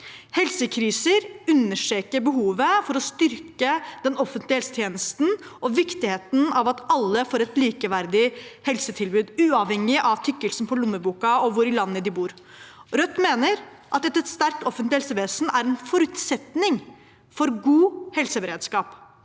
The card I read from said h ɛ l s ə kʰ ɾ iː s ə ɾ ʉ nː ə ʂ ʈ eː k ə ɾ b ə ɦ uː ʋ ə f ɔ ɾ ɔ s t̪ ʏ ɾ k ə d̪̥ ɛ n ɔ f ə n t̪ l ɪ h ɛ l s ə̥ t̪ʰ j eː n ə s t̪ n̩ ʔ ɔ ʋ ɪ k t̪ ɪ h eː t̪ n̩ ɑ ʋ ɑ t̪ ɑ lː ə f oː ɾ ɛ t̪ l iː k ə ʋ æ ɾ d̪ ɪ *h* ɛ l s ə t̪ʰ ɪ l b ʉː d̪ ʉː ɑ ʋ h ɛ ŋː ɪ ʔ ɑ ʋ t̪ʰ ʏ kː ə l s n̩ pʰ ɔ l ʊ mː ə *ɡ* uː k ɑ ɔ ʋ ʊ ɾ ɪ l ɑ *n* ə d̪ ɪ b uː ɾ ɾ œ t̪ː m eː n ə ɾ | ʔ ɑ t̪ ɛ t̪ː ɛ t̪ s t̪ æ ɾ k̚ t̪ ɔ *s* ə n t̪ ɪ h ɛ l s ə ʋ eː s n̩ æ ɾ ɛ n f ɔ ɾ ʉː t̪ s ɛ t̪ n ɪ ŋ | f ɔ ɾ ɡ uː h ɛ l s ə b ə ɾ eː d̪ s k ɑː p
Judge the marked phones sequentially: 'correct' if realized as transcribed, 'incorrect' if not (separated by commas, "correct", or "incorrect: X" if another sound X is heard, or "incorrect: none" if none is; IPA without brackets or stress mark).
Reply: correct, incorrect: b, incorrect: nː, incorrect: f